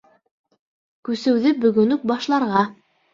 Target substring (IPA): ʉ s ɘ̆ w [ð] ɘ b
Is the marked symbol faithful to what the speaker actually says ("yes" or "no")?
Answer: yes